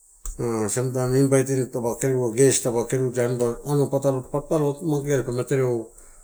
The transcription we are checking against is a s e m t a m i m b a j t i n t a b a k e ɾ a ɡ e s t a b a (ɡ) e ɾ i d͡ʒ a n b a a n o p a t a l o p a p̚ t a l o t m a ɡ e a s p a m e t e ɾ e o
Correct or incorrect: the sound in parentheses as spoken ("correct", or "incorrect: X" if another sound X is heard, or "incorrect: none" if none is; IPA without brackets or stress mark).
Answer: incorrect: k